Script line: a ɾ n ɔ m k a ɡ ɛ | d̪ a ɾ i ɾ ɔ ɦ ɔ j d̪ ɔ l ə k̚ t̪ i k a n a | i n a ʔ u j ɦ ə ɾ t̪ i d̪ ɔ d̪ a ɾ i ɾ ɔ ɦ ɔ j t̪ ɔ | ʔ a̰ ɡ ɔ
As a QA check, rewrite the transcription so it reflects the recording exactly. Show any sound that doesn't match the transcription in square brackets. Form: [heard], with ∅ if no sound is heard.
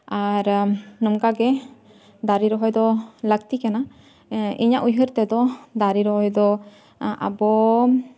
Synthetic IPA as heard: a ɾ n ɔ m k a ɡ ɛ | d̪ a ɾ i ɾ ɔ ɦ ɔ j d̪ ɔ l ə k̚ t̪ i k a n a | i [ɲ] a ʔ u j ɦ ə ɾ t̪ [ɛ] d̪ ɔ d̪ a ɾ i ɾ ɔ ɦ ɔ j [d̪] ɔ | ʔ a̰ [b] ɔ